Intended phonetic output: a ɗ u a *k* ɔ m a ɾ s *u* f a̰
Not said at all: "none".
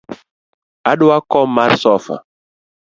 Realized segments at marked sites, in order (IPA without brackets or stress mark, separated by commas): k, ɔ